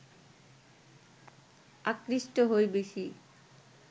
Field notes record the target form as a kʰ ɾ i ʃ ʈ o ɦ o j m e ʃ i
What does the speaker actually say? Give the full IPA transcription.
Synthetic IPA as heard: a k ɾ i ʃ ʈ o ɦ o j b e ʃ i